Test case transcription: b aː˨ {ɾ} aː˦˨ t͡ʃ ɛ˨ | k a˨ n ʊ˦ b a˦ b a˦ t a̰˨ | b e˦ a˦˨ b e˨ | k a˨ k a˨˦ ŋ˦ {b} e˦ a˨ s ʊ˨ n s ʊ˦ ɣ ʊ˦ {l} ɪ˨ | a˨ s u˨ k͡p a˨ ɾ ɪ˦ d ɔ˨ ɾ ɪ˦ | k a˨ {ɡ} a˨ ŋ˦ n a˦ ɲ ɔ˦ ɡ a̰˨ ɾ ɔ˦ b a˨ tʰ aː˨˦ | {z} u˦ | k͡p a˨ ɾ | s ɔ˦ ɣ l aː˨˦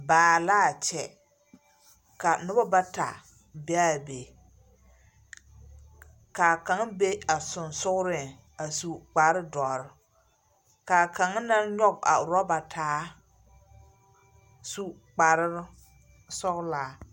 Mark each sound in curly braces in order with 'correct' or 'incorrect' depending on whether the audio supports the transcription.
incorrect, correct, incorrect, incorrect, incorrect

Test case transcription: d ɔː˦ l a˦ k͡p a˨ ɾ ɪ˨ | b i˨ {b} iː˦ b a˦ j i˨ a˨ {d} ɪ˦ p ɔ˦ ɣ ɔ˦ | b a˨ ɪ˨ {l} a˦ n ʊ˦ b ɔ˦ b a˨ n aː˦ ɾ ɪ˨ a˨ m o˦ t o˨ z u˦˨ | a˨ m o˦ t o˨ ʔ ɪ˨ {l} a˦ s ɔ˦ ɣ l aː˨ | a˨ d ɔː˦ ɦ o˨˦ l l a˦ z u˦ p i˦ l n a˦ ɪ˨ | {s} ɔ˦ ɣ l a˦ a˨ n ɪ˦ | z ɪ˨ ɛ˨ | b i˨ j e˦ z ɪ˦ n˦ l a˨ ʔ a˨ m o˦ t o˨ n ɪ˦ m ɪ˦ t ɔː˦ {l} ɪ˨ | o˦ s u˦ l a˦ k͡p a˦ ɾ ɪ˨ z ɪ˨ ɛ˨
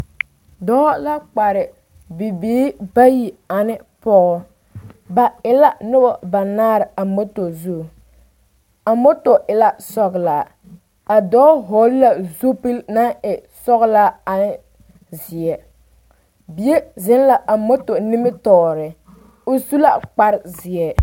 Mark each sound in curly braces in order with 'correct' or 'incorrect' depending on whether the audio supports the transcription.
correct, incorrect, correct, correct, correct, incorrect

